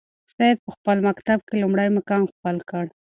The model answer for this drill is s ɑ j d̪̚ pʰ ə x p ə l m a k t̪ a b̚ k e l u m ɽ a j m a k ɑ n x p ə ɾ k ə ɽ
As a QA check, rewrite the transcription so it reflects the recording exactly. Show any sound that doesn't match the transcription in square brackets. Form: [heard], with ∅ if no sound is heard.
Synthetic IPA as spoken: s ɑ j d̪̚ [p] ə x p ə l m a k t̪ a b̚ k e l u m ɽ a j m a k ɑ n x p ə [l] k ə ɽ